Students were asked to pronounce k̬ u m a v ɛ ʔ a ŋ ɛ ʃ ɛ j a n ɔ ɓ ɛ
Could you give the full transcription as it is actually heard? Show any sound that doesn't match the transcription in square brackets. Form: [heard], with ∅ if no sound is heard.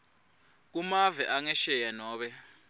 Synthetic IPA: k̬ u m a v ɛ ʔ a ŋ ɛ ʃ ɛ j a n [ɔː] ɓ ɛ